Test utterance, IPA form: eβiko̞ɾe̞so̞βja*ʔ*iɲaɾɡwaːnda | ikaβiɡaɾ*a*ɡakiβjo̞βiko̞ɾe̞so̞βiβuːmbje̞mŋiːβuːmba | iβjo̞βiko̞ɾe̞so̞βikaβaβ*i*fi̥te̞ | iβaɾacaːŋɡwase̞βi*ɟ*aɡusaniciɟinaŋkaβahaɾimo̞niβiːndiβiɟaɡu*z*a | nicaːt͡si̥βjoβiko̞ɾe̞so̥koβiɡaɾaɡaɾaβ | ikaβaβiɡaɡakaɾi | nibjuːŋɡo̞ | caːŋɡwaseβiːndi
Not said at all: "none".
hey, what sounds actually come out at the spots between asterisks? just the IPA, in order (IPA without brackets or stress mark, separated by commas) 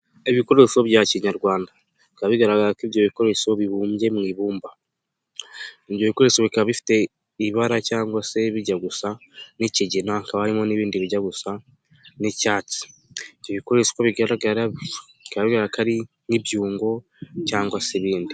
c, a, i, ɟ, s